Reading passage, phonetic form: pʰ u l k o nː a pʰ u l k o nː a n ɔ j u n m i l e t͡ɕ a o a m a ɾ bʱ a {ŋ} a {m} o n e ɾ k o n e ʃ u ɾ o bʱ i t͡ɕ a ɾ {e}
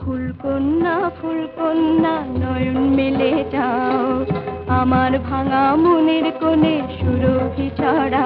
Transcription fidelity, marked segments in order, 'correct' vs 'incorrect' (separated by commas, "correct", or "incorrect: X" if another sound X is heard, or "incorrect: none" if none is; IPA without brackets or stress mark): correct, correct, incorrect: a